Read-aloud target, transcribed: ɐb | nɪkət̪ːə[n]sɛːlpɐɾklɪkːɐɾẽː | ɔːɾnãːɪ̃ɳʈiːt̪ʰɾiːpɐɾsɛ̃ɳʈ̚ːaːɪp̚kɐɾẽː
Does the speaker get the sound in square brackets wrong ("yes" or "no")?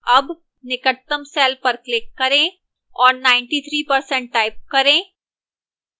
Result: yes